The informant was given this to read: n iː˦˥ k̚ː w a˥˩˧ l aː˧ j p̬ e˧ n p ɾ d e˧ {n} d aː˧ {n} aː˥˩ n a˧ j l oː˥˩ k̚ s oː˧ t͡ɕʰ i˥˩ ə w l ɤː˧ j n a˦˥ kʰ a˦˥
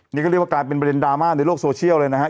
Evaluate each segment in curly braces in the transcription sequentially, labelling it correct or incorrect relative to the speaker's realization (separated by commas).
correct, incorrect